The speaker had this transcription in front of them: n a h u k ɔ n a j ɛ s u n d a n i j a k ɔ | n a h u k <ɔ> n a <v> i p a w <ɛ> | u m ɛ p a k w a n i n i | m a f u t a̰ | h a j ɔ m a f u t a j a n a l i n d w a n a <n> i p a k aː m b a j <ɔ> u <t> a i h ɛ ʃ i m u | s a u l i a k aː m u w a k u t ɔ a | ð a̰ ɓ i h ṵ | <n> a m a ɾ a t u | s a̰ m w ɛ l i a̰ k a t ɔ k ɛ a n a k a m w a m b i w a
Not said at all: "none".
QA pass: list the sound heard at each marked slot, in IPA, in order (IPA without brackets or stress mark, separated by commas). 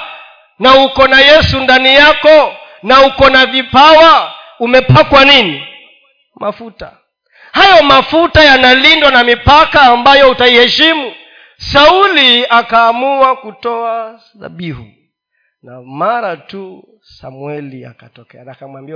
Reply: ɔ, v, a, m, ɔ, t, n